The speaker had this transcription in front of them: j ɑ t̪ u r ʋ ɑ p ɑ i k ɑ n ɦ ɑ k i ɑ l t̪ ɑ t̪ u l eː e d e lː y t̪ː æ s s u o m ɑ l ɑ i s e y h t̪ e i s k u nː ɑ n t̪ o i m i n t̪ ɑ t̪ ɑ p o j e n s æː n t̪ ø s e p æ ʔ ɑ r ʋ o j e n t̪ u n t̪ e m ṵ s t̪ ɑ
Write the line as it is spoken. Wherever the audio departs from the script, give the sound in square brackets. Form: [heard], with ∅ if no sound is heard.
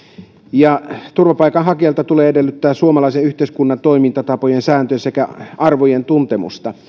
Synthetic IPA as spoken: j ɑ t̪ u r ʋ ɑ p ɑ i k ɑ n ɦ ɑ k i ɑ l t̪ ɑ t̪ u l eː e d e lː y t̪ː [æː] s s u o m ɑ l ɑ i s e y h t̪ e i s k u nː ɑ n t̪ o i m i n t̪ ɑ t̪ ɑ p o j e n s æː n t̪ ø s e [k] æ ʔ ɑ r ʋ o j e n t̪ u n t̪ e m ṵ s t̪ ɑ

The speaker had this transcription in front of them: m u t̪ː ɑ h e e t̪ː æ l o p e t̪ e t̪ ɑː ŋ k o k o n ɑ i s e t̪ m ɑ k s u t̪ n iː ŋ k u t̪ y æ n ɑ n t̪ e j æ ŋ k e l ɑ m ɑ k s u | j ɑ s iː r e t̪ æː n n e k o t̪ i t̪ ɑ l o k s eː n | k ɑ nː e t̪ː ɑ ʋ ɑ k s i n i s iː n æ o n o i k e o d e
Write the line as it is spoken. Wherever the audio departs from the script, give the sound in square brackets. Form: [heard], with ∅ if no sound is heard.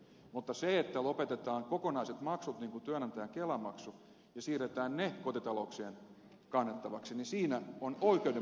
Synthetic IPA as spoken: m u t̪ː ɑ [s] e e t̪ː æ l o p e t̪ e t̪ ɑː ŋ k o k o n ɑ i s e t̪ m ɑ k s u t̪ n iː ŋ k u t̪ y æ n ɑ n t̪ [æ] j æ ŋ k e l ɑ m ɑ k s u | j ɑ s iː r e t̪ æː n n e k o t̪ i t̪ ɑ l o k s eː n | k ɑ nː e t̪ː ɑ ʋ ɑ k s i n i s iː n æ o n o i k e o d e

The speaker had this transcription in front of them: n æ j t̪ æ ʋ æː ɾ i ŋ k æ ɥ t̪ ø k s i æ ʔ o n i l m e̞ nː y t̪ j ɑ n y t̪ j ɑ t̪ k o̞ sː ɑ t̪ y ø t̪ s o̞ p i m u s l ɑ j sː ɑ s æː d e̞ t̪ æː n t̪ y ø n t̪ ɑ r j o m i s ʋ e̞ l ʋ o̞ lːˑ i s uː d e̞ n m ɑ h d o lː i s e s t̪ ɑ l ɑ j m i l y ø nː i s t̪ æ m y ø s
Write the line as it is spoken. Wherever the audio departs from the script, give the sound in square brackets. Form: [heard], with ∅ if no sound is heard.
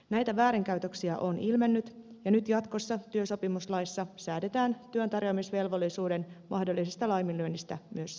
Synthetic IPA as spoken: n æ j t̪ æ ʋ æː ɾ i ŋ k æ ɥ t̪ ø k s i æ ʔ o n i l m e̞ nː y t̪ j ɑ n y t̪ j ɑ t̪ k o̞ sː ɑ t̪ y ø [∅] s o̞ p i m u s l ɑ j sː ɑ s æː d e̞ t̪ æː n t̪ y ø n t̪ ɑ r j o m i s ʋ e̞ l ʋ o̞ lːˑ i s uː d e̞ n m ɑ h d o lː i s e s t̪ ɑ l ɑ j m i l y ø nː i s t̪ æ m y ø s

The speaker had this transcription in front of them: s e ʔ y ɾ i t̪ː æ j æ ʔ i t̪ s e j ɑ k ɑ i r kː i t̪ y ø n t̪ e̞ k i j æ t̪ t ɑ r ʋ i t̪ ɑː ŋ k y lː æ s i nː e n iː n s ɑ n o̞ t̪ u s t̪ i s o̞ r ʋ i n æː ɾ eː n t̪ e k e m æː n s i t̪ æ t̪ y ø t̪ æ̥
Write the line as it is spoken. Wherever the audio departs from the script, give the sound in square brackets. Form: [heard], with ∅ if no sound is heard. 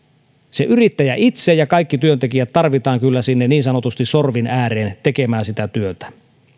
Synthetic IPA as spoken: s e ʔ y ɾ i t̪ː æ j æ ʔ i t̪ s e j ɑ k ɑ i [∅] kː i t̪ y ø n t̪ e̞ k i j æ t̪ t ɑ r ʋ i t̪ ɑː ŋ k y lː æ s i nː e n iː n s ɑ n o̞ t̪ u s t̪ i s o̞ r ʋ i n æː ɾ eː n t̪ e k e m æː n s i t̪ æ t̪ y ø t̪ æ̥

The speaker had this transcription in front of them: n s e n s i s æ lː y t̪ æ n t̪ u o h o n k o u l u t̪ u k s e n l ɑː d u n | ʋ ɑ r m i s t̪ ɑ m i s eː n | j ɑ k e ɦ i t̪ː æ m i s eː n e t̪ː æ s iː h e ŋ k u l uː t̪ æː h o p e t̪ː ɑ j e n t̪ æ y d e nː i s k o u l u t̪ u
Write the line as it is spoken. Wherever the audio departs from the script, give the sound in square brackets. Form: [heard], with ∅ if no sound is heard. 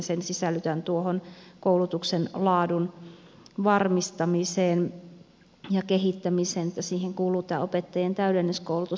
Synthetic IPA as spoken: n s e n s i s æ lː y t̪ æ n t̪ u o h o n k o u l u t̪ u k s e n l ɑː d u n | ʋ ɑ r m i s t̪ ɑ m i s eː n | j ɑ k e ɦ i t̪ː æ m i s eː n e t̪ː æ s iː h e ŋ k [uː] l uː t̪ æː [∅] o p e t̪ː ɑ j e n t̪ æ y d e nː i s k o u l u t̪ u

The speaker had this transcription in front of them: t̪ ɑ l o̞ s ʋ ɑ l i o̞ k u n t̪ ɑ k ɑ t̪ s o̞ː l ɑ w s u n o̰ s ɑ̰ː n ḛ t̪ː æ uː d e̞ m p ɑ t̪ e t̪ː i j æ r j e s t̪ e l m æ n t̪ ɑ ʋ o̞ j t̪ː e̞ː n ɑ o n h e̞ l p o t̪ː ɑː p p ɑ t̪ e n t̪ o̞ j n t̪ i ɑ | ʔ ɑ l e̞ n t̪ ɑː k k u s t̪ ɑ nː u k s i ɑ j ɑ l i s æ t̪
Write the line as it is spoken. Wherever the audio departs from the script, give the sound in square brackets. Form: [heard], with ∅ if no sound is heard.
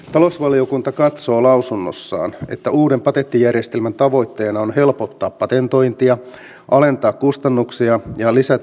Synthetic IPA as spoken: t̪ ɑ l o̞ s ʋ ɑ l i o̞ k u n t̪ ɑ k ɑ t̪ s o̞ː l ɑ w s u [nː] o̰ [sː] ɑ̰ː n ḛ t̪ː æ uː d e̞ m p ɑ t̪ e t̪ː i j æ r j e s t̪ e l m æ n t̪ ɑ ʋ o̞ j t̪ː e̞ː n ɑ o n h e̞ l p o t̪ː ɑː p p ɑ t̪ e n t̪ o̞ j n t̪ i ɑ | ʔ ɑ l e̞ n t̪ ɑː k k u s t̪ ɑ nː u k s i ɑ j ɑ l i s æ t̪

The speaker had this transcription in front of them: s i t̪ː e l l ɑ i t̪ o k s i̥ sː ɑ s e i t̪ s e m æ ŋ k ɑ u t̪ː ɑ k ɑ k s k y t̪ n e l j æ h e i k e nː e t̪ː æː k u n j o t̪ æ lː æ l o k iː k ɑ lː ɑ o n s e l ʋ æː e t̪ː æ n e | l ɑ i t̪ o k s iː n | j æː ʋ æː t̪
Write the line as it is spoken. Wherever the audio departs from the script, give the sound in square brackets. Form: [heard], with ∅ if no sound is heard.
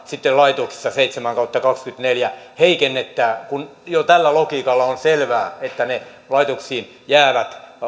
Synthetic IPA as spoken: s i t̪ː e l l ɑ i t̪ o k s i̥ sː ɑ s e i t̪ s e m æ ŋ k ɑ u t̪ː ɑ k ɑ k s k y t̪ n e l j æ h e i k e nː e t̪ː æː k u n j o t̪ æ lː æ l o k iː k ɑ lː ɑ o n s e l ʋ æː e t̪ː æ n e | l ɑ i t̪ o k s iː n | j æː ʋ [æ] t̪

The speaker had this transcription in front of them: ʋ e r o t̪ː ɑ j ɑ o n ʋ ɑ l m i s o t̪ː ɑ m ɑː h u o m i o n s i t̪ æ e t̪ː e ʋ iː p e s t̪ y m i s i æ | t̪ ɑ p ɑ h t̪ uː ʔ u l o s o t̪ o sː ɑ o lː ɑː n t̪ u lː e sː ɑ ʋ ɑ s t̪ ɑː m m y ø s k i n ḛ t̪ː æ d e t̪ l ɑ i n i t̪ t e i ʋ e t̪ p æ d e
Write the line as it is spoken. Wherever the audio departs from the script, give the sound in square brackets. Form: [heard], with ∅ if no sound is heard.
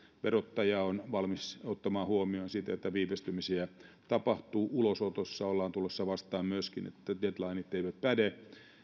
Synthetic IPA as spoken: ʋ e r o t̪ː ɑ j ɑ o n ʋ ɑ l m i s o t̪ː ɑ m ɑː h u o m i o n s i t̪ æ e t̪ː [æ] ʋ iː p e s t̪ y m i s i æ | t̪ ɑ p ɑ h t̪ uː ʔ u l o s o t̪ o sː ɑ o lː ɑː n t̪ u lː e sː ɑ ʋ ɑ s t̪ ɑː m m y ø s k i n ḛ t̪ː æ d e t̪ l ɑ i n i t̪ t e i ʋ [æ] t̪ p æ d e

